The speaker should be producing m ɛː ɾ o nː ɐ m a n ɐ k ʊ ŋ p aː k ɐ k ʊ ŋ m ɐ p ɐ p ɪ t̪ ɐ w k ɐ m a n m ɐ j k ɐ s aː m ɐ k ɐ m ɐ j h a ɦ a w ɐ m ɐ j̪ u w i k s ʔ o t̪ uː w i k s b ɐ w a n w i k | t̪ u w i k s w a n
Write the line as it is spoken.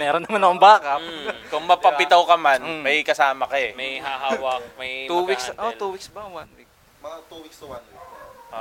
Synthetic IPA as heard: m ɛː ɾ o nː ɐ m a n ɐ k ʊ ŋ b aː k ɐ k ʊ ŋ m ɐ p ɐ p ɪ t̪ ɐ w k ɐ m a n m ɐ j k ɐ s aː m ɐ k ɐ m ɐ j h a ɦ a w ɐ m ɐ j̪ u w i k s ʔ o t̪ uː w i k s b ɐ w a n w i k | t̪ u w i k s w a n